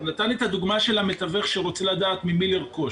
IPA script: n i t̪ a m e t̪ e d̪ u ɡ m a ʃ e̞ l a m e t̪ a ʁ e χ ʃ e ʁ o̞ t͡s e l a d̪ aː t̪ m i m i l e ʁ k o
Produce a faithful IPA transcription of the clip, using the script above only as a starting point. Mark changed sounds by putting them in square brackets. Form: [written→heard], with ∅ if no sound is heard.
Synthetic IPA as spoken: n [i→a] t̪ a [m→n] e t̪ [e→a] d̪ u ɡ m a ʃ e̞ l a m e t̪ a [ʁ→v] e χ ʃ e ʁ o̞ t͡s e l a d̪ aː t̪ m i m i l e ʁ k o